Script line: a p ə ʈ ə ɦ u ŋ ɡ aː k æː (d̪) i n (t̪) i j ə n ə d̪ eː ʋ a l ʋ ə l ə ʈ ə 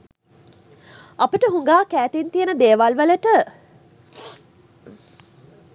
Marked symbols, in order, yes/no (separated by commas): no, yes